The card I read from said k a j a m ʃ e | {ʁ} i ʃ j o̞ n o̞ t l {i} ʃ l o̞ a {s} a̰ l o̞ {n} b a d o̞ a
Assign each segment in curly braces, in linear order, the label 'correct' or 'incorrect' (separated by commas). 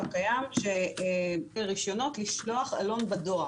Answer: correct, correct, incorrect, correct